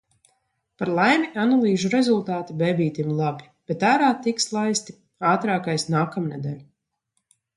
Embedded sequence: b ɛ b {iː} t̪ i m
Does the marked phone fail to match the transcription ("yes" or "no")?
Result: no